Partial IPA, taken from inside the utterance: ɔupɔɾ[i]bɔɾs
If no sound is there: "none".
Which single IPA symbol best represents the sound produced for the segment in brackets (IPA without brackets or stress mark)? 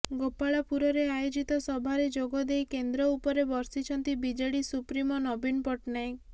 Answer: e